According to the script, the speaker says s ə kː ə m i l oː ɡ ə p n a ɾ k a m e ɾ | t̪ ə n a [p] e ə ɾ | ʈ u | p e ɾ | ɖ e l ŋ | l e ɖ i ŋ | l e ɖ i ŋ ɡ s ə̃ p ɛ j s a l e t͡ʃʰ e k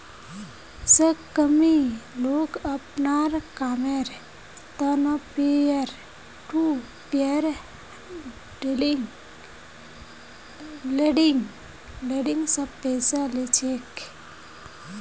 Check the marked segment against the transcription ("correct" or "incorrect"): correct